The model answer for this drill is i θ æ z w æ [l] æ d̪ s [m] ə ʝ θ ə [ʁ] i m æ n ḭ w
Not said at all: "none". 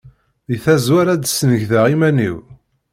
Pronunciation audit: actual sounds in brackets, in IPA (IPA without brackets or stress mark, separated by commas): ɾ, n, ʁ